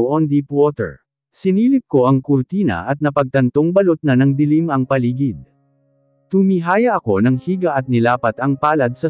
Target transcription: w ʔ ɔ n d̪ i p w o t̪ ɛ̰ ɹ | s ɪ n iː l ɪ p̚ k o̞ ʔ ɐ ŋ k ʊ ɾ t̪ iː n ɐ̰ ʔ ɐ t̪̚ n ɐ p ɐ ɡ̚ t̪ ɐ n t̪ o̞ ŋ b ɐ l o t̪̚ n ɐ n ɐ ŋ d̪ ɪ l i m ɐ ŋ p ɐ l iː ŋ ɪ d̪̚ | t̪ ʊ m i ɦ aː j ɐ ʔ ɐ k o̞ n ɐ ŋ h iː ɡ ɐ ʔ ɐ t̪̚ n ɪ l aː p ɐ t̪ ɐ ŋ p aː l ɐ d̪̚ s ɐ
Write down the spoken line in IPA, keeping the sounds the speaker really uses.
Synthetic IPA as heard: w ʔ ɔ n d̪ i p w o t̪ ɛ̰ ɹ | s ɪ n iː l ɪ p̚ k o̞ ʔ ɐ ŋ k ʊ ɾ t̪ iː n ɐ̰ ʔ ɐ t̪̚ n ɐ p ɐ ɡ̚ t̪ ɐ n t̪ o̞ ŋ b ɐ l o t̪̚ n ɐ n ɐ ŋ d̪ ɪ l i m ɐ ŋ p ɐ l iː ɡ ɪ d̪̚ | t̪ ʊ m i ɦ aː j ɐ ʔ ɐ k o̞ n ɐ ŋ h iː ɡ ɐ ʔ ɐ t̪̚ n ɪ l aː p ɐ t̪ ɐ ŋ p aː l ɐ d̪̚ s ɐ